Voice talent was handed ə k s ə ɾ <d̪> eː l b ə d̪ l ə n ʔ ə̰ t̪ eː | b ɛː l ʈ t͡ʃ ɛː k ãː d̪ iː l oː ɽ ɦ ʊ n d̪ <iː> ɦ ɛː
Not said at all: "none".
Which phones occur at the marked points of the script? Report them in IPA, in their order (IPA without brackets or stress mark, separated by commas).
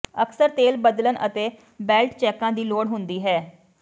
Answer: t̪, iː